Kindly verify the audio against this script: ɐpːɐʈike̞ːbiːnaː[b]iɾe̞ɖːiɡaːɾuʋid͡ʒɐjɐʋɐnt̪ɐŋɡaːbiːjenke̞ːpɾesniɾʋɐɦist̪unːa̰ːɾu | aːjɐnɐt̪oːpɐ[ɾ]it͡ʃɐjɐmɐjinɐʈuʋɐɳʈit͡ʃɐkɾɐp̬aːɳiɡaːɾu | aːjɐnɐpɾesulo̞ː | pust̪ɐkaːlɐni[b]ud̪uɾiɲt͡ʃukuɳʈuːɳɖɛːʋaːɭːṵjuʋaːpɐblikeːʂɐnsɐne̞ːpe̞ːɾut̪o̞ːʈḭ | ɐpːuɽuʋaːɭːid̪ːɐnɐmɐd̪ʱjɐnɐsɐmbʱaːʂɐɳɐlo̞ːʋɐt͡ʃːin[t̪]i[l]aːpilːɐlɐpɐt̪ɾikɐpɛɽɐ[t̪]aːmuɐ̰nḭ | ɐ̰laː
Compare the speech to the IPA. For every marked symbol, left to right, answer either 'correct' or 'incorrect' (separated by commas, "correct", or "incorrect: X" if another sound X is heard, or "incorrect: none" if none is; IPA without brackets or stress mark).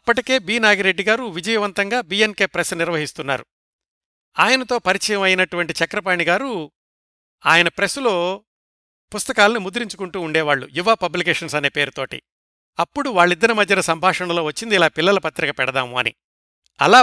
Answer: incorrect: ɡ, correct, incorrect: m, incorrect: d̪, correct, incorrect: d̪